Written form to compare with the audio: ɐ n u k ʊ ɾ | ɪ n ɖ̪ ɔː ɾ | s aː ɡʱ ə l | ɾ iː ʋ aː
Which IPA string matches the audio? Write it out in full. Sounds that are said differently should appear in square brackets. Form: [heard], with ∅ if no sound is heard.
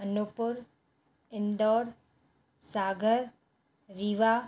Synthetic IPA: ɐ n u [p] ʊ ɾ | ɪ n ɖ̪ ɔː ɾ | s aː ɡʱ ə [ɾ] | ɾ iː ʋ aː